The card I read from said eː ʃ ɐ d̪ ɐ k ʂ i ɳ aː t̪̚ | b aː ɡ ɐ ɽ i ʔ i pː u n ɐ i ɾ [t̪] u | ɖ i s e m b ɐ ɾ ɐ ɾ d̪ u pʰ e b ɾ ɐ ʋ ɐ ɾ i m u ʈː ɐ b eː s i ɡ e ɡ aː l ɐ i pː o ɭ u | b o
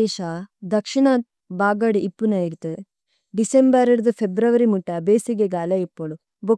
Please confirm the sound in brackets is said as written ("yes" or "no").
yes